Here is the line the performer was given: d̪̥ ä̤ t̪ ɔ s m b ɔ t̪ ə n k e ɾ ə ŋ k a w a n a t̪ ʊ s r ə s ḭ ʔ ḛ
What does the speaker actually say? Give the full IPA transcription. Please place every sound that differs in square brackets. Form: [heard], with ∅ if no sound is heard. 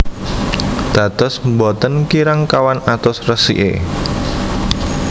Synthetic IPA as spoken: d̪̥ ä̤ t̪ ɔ s m b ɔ t̪ ə n k [i] ɾ [a] ŋ k a w a n a t̪ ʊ s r ə s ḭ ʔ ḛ